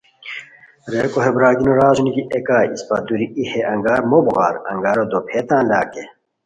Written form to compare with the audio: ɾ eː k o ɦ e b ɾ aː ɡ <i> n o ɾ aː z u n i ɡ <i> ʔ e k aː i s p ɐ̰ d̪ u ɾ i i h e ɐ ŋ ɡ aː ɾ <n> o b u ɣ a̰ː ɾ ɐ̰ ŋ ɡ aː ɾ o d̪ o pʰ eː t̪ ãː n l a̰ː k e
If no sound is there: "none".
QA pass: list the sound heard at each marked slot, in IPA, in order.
i, i, m

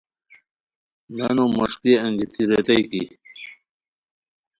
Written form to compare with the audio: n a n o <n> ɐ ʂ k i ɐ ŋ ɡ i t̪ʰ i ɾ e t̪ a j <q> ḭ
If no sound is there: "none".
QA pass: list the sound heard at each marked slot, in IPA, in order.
m, k

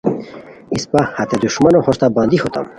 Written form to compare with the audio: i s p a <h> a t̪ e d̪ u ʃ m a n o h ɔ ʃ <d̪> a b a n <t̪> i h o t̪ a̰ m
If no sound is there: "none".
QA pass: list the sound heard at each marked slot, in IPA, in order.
h, t̪, d̪

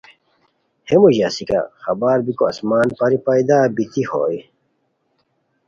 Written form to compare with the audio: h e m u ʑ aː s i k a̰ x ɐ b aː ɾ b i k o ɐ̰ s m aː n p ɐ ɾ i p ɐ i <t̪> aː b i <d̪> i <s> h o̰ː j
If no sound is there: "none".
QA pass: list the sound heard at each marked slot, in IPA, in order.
d̪, t̪, none

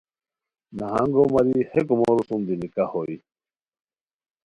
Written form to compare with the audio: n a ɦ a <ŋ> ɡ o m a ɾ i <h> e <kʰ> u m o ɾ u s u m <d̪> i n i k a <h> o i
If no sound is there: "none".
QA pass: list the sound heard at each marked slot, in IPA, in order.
ŋ, h, k, d̪, h

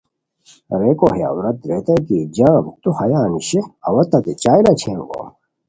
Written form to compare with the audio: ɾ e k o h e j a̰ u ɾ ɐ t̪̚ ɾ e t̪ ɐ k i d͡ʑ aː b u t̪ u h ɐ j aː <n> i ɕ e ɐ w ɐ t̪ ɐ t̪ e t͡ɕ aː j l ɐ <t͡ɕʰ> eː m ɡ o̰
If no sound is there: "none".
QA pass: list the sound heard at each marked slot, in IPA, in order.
n, t͡ɕʰ

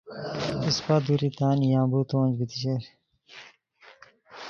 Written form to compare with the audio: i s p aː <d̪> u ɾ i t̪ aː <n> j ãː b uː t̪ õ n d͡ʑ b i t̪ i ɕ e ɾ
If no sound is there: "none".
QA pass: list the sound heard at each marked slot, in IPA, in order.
d̪, n

